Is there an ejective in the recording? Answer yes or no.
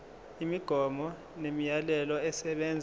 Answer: no